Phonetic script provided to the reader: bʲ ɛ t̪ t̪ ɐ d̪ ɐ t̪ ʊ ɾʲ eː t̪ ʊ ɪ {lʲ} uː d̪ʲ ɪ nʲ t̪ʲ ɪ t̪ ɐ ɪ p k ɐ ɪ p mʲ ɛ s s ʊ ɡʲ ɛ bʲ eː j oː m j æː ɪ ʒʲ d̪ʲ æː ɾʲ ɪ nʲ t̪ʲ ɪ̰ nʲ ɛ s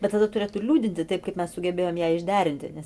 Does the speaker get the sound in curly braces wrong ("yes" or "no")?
no